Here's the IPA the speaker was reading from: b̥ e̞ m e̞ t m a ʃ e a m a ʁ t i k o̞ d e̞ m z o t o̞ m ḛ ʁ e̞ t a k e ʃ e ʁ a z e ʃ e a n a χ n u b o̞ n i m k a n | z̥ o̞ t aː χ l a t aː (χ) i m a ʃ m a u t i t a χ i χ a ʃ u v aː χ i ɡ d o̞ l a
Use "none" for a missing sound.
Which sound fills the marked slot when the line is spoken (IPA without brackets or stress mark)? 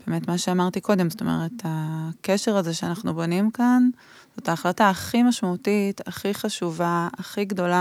χ